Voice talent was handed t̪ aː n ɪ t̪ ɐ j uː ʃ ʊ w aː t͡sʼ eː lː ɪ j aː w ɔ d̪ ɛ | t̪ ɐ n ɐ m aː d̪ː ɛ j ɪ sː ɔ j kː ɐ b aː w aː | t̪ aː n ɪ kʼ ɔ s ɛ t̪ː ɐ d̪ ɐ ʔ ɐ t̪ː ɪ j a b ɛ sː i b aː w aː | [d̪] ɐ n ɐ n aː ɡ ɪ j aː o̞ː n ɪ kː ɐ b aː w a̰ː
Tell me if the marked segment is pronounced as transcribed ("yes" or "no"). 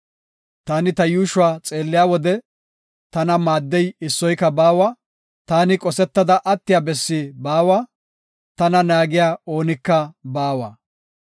no